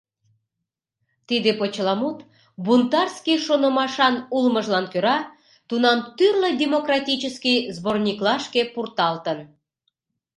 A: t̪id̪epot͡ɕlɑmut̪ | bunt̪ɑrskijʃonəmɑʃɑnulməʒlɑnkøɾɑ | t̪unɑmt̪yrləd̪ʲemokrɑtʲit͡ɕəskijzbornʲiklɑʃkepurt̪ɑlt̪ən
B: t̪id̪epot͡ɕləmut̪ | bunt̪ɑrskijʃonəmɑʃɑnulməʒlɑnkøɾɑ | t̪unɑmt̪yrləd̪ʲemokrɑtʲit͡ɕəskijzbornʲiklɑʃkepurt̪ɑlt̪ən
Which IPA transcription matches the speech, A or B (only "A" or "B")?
A